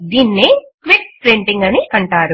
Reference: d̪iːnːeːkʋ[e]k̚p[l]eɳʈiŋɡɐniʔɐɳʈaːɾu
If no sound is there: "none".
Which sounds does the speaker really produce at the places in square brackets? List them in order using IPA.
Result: i, ɾ

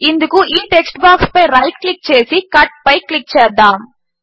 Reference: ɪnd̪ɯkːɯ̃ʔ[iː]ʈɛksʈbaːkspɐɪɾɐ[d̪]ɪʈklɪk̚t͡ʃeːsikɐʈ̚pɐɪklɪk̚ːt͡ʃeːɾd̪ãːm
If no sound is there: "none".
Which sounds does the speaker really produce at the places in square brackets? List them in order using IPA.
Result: iː, none

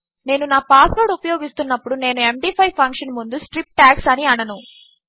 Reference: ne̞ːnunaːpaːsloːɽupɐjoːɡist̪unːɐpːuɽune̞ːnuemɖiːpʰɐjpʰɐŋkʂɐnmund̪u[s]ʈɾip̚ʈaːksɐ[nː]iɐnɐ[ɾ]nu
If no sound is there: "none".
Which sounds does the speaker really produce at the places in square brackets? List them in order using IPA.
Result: s, n, none

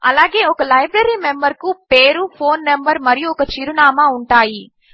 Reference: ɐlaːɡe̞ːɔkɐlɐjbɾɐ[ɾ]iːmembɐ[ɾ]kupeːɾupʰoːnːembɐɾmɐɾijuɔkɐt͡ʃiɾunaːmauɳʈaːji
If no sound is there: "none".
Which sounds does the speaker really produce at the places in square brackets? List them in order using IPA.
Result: ɾ, ɾ

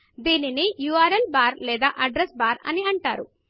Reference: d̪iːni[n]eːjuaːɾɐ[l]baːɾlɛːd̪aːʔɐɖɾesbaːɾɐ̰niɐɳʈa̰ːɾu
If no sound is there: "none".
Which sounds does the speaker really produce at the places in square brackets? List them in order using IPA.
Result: n, l

